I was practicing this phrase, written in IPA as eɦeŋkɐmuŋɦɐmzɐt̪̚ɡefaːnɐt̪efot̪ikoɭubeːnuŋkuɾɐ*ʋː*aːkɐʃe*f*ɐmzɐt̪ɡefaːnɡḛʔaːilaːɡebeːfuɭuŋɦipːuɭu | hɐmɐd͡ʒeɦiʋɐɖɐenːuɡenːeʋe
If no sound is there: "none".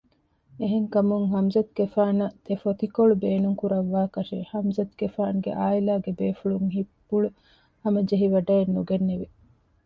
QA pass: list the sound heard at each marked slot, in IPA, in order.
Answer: ʋː, h

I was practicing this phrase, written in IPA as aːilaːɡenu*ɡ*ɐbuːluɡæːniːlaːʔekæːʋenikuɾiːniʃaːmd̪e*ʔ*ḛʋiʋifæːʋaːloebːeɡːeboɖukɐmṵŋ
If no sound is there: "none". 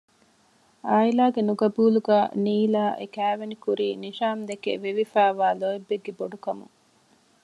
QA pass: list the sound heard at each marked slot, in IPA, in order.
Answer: ɡ, k

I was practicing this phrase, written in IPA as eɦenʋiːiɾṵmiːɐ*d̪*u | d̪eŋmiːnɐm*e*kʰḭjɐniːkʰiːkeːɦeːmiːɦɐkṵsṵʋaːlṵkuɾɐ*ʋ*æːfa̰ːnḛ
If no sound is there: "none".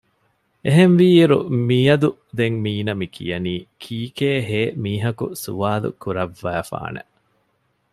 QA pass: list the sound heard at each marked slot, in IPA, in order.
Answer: d̪, i, ʋː

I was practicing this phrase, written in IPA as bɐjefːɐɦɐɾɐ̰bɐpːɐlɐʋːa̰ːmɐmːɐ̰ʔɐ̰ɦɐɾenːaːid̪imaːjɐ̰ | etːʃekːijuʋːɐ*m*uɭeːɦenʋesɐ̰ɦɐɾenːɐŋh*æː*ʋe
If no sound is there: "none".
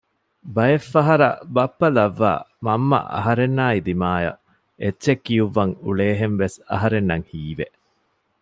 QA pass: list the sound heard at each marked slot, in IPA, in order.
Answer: ŋ, iː

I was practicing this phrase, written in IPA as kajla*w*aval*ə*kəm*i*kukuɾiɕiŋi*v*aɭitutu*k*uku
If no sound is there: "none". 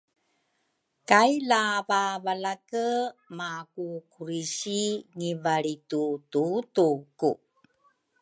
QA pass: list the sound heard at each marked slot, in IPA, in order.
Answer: v, a, a, v, t

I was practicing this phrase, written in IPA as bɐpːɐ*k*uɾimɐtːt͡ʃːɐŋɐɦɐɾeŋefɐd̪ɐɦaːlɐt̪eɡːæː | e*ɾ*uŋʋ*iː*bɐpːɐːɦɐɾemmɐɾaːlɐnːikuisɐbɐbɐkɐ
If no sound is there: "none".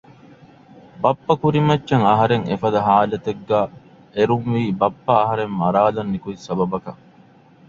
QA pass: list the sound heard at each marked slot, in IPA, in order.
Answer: k, ɾ, iː

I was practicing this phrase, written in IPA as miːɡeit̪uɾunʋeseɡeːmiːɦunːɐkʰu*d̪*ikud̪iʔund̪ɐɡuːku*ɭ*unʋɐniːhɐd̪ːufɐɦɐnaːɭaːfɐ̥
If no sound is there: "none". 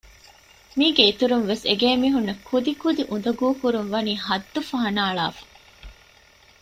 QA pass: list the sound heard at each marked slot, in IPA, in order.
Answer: d̪, ɾ

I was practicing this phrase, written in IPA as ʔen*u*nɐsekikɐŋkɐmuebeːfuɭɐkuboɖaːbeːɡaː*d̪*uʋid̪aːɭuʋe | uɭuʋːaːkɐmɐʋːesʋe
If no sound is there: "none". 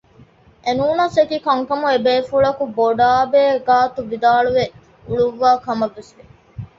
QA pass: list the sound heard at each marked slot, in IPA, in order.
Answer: uː, t̪

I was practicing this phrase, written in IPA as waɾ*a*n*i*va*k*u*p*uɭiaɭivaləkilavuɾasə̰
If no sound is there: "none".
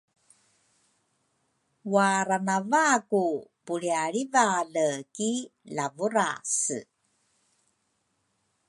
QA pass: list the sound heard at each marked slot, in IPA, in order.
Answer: a, a, k, p

